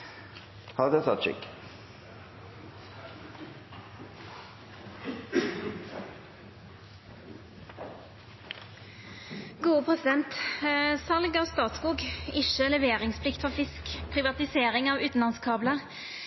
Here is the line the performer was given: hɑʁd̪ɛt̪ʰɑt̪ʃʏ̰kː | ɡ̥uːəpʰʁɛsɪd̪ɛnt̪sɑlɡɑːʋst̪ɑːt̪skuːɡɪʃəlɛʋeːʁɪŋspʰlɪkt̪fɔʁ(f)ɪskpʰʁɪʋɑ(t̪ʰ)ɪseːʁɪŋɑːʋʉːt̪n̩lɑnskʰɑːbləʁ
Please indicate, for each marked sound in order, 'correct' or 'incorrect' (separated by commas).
correct, incorrect